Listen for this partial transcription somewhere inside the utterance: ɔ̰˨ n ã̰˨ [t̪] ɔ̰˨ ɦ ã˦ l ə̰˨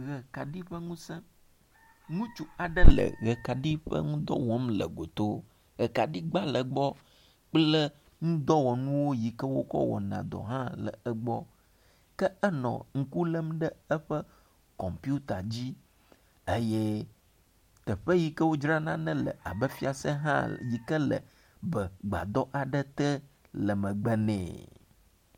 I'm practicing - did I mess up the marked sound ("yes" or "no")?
yes